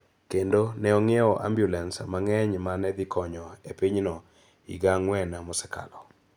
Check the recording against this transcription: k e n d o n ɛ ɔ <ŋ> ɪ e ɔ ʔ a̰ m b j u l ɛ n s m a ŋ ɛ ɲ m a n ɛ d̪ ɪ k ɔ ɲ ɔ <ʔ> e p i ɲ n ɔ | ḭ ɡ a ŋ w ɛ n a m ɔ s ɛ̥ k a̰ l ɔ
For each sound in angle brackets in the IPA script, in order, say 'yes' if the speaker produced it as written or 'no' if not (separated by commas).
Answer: yes, no